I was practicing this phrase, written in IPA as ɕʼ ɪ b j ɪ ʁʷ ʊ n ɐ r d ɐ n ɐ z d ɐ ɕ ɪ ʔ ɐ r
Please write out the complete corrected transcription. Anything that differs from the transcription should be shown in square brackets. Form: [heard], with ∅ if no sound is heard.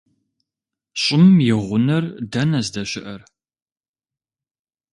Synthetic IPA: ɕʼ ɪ [m] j ɪ ʁʷ ʊ n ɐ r d ɐ n ɐ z d ɐ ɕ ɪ ʔ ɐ r